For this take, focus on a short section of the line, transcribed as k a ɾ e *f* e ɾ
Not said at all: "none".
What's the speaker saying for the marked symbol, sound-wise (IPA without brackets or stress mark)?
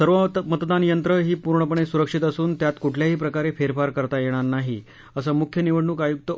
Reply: f